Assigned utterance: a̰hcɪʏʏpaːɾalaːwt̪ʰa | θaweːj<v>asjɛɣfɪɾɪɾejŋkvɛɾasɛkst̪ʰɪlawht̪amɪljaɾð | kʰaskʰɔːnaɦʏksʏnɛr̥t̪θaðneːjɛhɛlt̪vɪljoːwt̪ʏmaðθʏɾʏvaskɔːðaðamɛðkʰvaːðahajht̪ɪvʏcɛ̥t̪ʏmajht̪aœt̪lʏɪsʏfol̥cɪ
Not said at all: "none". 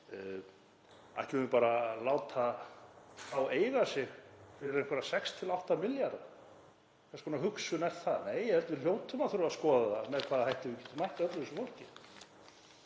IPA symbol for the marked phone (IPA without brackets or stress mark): ɣ